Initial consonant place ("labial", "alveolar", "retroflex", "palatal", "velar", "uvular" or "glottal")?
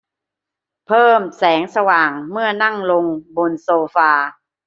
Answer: labial